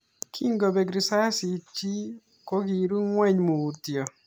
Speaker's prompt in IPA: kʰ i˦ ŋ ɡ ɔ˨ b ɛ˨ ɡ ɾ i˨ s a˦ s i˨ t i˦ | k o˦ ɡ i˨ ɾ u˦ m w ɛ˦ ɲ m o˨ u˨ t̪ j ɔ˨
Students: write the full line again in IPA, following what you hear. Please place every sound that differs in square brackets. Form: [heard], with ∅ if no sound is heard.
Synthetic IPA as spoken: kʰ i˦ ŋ ɡ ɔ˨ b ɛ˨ ɡ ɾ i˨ s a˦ s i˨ [t͡ʃ] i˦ | k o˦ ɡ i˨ ɾ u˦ [ŋ] w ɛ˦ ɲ m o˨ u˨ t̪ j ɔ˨

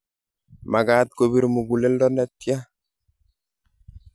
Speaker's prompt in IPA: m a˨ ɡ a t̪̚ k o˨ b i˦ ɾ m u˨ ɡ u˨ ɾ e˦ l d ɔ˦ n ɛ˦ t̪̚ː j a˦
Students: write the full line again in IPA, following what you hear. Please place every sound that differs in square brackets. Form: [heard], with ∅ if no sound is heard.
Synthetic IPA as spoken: m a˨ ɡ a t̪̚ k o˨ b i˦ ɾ m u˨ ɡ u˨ [l] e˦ l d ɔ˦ n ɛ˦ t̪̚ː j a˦

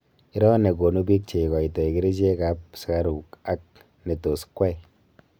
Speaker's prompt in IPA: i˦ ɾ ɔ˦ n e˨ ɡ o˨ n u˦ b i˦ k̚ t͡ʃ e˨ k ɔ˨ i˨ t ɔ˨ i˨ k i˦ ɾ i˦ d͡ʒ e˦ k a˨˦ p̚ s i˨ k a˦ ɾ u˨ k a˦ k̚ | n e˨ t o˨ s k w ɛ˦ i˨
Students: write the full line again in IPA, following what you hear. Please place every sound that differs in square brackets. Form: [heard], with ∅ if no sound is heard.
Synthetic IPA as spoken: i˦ ɾ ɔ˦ n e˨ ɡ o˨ n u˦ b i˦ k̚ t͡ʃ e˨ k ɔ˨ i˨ t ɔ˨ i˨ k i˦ ɾ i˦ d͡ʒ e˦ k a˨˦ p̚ s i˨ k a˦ ɾ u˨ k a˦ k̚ | n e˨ t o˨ s k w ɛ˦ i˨

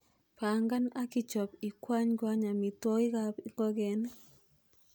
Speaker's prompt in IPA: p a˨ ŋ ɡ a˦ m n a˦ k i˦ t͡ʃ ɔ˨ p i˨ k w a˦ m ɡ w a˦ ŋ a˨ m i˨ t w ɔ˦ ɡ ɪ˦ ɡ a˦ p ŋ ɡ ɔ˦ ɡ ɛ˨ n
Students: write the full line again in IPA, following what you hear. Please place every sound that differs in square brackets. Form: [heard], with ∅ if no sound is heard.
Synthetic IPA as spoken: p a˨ ŋ ɡ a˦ [∅] n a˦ k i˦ t͡ʃ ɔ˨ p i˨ k w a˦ [ɲ] ɡ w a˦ [ɲ] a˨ m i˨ t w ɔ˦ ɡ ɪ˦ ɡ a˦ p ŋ ɡ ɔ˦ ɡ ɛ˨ n

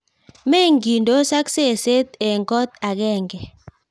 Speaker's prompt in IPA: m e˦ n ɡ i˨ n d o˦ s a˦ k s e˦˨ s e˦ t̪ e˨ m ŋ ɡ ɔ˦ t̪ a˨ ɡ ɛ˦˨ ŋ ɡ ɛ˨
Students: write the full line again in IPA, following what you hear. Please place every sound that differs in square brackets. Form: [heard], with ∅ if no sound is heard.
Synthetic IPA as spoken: m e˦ [ŋ] ɡ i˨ n d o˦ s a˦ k s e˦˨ s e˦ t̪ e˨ [∅] ŋ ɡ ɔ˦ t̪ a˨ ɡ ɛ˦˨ ŋ ɡ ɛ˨

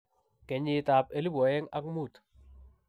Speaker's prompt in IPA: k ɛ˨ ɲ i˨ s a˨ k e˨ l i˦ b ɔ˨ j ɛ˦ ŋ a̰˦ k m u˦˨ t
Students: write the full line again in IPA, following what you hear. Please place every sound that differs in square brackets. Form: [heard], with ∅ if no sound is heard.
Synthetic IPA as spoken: k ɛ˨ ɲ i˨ [t] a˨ [p] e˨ l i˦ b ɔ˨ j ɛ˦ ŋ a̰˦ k m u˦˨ t

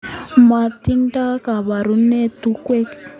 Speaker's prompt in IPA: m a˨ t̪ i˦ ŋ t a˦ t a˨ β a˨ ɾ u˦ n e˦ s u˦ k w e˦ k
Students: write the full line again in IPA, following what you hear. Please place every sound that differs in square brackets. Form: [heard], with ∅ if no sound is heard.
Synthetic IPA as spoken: m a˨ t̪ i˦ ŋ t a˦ [k] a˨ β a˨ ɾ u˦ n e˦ [t] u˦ k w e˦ k

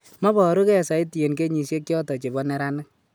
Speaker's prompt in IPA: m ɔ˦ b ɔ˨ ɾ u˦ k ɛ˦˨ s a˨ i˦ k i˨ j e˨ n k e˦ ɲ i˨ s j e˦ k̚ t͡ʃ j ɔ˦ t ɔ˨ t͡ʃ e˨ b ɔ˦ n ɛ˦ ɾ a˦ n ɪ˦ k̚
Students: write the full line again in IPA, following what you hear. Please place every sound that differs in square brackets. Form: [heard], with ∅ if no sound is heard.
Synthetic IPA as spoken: m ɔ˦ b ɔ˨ ɾ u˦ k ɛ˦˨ s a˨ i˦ [t] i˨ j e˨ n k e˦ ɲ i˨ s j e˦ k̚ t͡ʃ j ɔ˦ t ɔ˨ t͡ʃ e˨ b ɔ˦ n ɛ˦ ɾ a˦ n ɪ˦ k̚

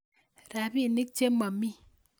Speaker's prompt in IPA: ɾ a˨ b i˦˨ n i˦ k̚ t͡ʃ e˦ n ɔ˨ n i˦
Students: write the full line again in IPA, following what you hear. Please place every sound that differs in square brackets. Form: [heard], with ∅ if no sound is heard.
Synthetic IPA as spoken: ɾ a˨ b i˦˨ n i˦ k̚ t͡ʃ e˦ [m] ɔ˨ [m] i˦

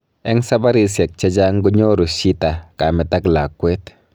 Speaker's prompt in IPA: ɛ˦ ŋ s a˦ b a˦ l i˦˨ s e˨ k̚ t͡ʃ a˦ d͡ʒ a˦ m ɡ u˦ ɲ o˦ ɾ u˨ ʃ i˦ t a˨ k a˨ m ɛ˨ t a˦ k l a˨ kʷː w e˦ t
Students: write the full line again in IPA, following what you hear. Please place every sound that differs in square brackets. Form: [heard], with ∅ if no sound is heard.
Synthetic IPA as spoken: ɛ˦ ŋ s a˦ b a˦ [ɾ] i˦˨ s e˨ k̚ t͡ʃ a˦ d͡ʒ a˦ [ŋ] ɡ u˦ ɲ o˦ ɾ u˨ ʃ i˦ t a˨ k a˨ m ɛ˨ t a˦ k l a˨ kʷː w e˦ t

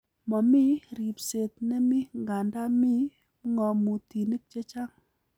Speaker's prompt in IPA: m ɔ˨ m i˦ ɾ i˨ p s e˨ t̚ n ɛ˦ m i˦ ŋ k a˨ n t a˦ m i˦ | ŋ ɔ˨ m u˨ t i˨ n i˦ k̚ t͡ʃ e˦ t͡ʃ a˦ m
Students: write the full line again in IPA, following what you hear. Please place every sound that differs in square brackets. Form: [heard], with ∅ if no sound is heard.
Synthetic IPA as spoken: m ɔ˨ m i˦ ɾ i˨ p s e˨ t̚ n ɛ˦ m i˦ ŋ [ɡ] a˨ n [d] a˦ m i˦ | ŋ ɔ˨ m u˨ t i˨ n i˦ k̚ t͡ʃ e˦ t͡ʃ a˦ [ŋ]

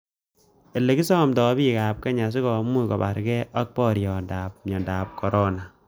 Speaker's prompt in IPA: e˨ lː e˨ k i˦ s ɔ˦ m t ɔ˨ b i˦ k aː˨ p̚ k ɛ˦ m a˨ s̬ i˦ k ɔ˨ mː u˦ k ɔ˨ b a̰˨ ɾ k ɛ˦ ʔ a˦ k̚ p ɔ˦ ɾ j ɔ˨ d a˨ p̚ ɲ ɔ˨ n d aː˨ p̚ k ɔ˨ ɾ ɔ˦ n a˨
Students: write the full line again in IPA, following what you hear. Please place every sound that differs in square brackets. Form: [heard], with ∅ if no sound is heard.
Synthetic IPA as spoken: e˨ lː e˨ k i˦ s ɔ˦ m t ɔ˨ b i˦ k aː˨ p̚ k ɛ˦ [ɲ] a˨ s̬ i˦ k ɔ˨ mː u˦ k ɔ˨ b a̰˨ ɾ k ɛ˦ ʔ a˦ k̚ p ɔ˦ ɾ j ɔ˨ d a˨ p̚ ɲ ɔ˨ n d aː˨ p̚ k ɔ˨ ɾ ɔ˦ n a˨

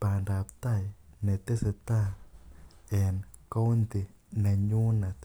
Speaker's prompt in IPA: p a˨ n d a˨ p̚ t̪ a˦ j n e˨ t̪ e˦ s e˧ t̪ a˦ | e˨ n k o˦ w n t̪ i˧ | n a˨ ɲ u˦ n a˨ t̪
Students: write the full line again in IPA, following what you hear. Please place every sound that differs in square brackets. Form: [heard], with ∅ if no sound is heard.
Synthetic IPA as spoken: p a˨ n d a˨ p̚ t̪ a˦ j n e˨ t̪ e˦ s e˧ t̪ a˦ | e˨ n k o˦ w n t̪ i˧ | n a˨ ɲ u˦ n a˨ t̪

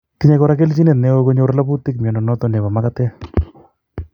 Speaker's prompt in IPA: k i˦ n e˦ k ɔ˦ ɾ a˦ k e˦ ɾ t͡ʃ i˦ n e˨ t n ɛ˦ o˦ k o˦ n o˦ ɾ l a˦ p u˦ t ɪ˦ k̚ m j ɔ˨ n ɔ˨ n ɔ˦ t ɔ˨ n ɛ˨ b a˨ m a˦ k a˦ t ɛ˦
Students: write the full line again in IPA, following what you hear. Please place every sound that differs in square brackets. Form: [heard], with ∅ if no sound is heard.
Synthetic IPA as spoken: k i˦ [ɲ] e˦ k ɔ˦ ɾ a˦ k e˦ [l] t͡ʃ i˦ n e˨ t n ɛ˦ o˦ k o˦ [ɲ] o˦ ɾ l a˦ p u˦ t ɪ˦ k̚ m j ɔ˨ n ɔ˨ n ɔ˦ t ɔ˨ n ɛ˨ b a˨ m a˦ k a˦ t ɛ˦

